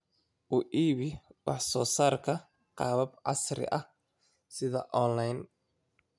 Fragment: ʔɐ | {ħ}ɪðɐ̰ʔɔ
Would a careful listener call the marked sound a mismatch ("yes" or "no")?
yes